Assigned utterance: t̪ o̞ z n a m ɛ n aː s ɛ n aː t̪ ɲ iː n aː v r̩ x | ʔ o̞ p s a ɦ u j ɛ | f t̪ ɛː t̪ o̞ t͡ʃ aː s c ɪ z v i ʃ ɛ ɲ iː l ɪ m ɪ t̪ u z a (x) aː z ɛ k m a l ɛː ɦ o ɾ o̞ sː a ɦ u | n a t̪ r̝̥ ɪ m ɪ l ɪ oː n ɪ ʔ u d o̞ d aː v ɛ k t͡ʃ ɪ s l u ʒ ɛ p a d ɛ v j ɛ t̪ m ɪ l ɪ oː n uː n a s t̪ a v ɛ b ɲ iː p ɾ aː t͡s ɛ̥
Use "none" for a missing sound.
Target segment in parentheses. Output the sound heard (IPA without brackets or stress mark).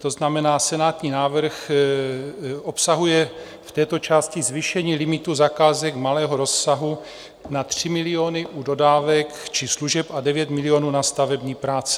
k